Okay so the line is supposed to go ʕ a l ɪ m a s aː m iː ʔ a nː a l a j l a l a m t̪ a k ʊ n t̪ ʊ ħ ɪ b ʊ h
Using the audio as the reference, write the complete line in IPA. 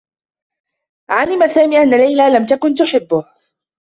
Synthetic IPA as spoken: ʕ a l ɪ m a s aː m iː ʔ a nː a l a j l a l a m t̪ a k ʊ n t̪ ʊ ħ ɪ bː ʊ h

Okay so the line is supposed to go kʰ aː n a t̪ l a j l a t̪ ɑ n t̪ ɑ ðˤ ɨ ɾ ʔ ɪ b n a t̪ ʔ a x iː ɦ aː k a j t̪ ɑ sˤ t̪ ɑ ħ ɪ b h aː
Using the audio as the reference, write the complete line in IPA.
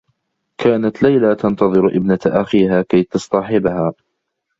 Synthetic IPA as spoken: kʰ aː n a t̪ l a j l a t̪ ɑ n t̪ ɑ ðˤ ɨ ɾ ʔ ɪ b n a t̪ ʔ a x iː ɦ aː k a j t̪ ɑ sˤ t̪ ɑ ħ ɪ b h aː

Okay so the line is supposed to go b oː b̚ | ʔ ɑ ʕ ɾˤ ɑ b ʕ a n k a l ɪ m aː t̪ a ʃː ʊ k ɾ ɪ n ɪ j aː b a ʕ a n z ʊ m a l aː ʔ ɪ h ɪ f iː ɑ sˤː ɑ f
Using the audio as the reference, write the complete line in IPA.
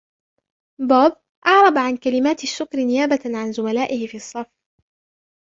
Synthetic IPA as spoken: b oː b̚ | ʔ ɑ ʕ ɾˤ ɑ b ʕ a n k a l ɪ m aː t̪ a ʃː ʊ k ɾ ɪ n ɪ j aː b a ʕ a n z ʊ m a l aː ʔ ɪ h ɪ f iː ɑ sˤː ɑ f

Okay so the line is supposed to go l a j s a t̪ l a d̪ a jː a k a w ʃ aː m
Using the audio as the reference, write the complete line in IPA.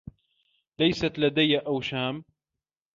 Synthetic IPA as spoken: l a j s a t̪ l a d̪ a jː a ʔ a w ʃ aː m

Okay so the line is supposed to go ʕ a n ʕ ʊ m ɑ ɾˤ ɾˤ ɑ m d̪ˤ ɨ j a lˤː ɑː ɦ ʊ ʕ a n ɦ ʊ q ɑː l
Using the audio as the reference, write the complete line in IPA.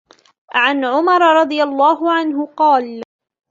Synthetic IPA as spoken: ʕ a n ʕ ʊ m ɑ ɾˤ ɾˤ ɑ d̪ˤ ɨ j a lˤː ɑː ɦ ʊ ʕ a n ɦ ʊ q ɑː l

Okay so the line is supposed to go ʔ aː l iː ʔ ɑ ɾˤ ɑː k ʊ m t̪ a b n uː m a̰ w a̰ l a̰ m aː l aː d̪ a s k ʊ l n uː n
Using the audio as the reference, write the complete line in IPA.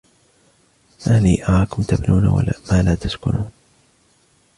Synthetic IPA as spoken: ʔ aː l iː ʔ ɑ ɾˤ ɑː k ʊ m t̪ a b n uː n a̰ w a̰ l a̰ m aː l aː t̪ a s k ʊ n uː n

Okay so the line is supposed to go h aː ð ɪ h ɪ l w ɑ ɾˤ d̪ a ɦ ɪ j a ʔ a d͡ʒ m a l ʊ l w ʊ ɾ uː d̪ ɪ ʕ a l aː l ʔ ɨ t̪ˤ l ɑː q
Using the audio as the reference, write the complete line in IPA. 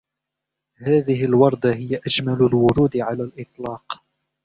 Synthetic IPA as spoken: h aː ð ɪ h ɪ l w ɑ ɾˤ d̪ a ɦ ɪ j a ʔ a d͡ʒ m a l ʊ l w ʊ ɾ uː d̪ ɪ ʕ a l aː l ʔ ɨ t̪ˤ l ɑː q

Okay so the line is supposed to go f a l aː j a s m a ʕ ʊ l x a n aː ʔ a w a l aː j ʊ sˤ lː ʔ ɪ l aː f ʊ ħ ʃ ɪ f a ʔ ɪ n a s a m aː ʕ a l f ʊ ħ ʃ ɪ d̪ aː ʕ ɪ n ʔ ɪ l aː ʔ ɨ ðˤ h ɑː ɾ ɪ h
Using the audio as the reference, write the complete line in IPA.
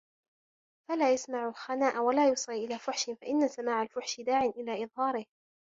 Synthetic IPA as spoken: f a l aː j a s m a ʕ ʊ l x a n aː ʔ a w a l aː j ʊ sˤ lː ʔ ɪ l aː f ʊ ħ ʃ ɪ f a ʔ ɪ nː a s a m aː ʕ a l f ʊ ħ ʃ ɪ d̪ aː ʕ ɪ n ʔ ɪ l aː ʔ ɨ ðˤ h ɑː ɾ ɪ h

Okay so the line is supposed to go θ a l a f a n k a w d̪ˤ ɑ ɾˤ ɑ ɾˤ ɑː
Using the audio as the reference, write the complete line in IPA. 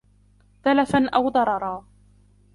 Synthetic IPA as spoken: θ a l a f a n ʔ a w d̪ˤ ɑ ɾˤ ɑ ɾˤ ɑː

